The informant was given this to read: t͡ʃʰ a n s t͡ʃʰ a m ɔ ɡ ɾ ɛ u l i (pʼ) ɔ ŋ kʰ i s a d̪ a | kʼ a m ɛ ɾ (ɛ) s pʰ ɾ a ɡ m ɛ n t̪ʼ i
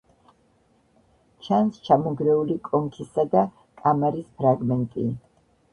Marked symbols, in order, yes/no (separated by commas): no, no